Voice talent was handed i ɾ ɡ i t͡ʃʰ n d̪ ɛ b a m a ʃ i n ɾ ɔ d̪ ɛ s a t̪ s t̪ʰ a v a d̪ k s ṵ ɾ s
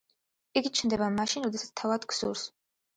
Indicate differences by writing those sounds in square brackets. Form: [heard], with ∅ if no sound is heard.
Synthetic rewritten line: i [∅] ɡ i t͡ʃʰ n d̪ ɛ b a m a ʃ i n ɾ ɔ d̪ ɛ s a t̪ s t̪ʰ a v a d̪ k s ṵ ɾ s